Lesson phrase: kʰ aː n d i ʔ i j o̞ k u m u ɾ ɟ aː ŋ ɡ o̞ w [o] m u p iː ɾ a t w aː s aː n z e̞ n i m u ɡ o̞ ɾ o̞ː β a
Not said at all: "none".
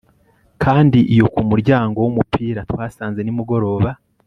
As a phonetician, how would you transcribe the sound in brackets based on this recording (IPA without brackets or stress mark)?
u